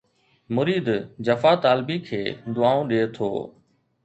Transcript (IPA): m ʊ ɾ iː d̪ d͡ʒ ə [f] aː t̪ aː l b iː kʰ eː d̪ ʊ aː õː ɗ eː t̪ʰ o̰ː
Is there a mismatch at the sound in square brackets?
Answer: no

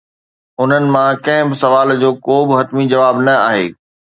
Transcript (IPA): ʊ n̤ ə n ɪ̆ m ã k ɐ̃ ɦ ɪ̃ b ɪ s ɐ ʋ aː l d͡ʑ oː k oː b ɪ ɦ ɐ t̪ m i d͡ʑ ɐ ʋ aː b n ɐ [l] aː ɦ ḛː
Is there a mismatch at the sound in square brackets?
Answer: yes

